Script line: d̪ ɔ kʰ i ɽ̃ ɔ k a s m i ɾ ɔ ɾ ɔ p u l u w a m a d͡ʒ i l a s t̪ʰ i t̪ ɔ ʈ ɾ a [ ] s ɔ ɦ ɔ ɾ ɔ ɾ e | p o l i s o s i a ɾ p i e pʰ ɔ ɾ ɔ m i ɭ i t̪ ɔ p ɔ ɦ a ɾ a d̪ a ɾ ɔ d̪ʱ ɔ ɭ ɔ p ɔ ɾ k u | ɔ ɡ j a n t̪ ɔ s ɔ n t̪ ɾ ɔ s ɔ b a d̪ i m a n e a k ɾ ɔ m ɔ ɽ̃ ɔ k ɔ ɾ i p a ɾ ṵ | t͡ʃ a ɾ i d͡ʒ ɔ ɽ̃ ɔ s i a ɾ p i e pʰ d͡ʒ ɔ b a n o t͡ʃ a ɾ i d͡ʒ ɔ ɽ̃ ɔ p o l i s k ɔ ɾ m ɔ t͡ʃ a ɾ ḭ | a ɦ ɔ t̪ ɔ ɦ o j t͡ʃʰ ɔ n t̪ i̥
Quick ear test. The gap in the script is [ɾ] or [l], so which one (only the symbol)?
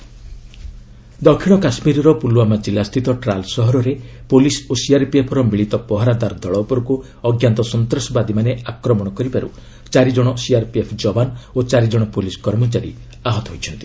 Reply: l